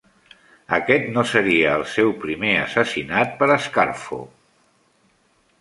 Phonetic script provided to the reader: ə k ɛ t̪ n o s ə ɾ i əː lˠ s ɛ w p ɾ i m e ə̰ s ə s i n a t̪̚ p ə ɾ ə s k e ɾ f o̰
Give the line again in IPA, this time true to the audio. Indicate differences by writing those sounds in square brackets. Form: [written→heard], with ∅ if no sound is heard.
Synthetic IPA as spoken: ə k ɛ t̪ n o s ə ɾ i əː lˠ s ɛ w p ɾ i m e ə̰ s ə s i n a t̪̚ p ə ɾ ə s k [e→a] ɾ f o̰